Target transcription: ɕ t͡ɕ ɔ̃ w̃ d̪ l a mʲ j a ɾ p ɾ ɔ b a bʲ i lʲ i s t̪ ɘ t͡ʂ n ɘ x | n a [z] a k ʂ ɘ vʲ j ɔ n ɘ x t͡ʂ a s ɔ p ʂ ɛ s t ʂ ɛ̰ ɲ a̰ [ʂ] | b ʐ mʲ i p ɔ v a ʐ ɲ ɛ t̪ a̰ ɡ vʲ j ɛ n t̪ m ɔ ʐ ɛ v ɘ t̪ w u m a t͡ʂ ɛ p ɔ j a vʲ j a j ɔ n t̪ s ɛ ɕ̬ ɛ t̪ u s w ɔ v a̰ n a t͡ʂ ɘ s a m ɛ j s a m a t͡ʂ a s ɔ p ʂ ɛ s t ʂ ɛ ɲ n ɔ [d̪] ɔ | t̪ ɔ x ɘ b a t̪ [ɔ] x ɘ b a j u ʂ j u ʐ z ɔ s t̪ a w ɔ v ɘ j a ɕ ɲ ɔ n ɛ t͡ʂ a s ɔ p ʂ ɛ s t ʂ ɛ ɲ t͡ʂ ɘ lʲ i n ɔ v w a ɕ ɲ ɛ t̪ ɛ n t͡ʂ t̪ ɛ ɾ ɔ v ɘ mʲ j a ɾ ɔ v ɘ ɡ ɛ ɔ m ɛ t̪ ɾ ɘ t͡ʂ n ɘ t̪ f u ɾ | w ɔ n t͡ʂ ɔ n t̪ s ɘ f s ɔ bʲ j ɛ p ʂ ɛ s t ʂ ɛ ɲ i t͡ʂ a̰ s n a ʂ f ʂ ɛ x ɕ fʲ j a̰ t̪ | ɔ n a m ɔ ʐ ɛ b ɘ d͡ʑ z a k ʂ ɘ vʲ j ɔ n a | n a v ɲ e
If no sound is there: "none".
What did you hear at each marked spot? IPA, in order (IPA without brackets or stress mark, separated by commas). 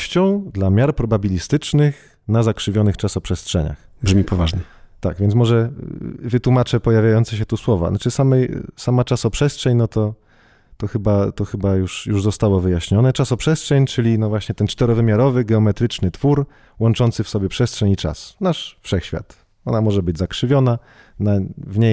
z, x, t̪, ɔ